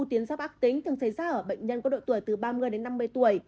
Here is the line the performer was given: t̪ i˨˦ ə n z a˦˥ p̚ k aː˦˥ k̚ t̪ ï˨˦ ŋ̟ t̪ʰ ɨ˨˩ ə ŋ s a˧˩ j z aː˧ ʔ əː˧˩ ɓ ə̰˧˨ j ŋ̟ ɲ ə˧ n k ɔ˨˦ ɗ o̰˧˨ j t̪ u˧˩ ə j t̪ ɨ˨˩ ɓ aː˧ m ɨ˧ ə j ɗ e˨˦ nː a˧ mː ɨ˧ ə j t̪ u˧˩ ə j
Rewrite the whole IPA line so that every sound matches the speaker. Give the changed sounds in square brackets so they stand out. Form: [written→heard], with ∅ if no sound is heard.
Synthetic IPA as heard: t̪ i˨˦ ə n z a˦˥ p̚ [k→ʔ] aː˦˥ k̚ t̪ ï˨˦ ŋ̟ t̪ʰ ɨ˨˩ ə ŋ s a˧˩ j z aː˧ ʔ əː˧˩ ɓ ə̰˧˨ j ŋ̟ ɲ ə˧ n k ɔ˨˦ ɗ o̰˧˨ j t̪ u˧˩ ə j t̪ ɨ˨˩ ɓ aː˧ m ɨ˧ ə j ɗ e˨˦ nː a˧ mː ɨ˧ ə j t̪ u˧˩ ə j

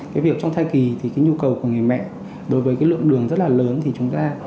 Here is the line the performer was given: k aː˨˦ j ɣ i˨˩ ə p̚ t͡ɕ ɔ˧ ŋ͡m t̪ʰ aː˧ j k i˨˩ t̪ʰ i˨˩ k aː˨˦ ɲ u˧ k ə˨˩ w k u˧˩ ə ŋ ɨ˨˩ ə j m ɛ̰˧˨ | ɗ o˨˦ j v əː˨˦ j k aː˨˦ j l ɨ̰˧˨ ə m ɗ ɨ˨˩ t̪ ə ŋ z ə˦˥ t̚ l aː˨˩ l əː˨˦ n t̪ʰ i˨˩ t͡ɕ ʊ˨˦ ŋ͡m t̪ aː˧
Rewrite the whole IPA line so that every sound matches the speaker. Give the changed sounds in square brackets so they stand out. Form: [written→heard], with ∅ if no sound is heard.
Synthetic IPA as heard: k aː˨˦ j [ɣ→v] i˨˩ ə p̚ t͡ɕ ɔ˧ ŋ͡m t̪ʰ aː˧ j k i˨˩ t̪ʰ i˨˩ k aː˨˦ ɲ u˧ k ə˨˩ w k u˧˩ ə ŋ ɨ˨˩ ə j m ɛ̰˧˨ | ɗ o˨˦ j v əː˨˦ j k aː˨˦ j l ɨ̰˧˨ ə [m→ŋ] ɗ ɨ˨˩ [t̪→∅] ə ŋ z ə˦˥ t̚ l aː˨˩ l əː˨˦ n t̪ʰ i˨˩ t͡ɕ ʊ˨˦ ŋ͡m t̪ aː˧

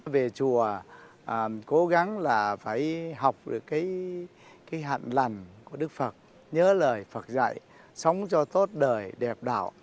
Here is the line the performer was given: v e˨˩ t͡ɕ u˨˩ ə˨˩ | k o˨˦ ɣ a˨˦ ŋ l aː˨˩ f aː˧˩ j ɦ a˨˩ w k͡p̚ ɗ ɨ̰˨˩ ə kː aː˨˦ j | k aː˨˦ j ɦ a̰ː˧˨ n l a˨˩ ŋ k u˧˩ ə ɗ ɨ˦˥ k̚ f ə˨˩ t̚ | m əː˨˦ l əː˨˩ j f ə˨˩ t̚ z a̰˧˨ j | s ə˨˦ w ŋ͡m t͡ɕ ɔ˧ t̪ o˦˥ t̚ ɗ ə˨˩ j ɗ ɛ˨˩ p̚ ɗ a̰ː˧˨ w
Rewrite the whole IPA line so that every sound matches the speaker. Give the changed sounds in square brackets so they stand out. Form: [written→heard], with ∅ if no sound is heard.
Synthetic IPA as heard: v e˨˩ t͡ɕ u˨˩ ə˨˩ | k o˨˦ ɣ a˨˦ ŋ l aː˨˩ f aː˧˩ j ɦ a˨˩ w k͡p̚ ɗ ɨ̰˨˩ ə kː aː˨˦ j | k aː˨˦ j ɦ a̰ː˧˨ n l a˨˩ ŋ k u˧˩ ə ɗ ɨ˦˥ k̚ f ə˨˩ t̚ | [m→ɲ] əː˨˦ l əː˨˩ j f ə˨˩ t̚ z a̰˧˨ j | s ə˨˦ w ŋ͡m t͡ɕ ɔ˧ t̪ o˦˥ t̚ ɗ [ə˨˩→əː˨˩] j ɗ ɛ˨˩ p̚ ɗ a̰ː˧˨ w

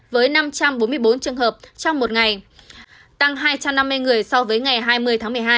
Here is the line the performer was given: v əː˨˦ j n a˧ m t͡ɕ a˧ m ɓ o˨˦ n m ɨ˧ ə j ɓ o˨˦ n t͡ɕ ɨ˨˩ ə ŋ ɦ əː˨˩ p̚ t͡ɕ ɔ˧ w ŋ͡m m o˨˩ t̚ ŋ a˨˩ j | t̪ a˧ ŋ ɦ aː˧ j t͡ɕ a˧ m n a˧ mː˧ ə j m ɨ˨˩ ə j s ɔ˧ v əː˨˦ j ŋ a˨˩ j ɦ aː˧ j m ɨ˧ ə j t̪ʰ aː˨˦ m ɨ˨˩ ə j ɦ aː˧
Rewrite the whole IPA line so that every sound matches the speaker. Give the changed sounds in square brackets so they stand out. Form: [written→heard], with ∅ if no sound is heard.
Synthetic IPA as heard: v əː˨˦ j n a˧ m t͡ɕ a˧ m ɓ o˨˦ n m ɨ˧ ə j ɓ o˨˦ n t͡ɕ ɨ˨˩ ə ŋ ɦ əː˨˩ p̚ t͡ɕ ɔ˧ w ŋ͡m m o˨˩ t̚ ŋ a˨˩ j | t̪ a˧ ŋ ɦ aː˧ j t͡ɕ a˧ m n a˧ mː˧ ə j [m→ŋ] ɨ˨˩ ə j s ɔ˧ v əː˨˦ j ŋ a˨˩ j ɦ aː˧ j m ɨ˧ ə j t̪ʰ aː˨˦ m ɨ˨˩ ə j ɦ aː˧

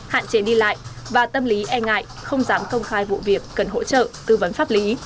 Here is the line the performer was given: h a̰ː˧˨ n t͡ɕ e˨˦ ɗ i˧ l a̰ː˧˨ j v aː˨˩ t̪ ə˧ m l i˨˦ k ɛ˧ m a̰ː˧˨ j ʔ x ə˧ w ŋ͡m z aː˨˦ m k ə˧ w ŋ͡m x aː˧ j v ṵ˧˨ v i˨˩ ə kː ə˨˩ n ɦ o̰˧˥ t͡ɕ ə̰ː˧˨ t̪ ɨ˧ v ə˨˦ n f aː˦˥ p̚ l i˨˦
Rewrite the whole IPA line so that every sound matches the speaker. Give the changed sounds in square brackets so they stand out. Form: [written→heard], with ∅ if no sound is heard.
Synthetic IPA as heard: h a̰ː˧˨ n t͡ɕ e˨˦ ɗ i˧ l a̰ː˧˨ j v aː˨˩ t̪ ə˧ m l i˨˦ [k→ʔ] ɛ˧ [m→ŋ] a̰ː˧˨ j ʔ x ə˧ w ŋ͡m z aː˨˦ m k ə˧ w ŋ͡m x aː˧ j v ṵ˧˨ v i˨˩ ə kː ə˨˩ n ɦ o̰˧˥ t͡ɕ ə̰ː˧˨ t̪ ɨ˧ v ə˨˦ n f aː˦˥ p̚ l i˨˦

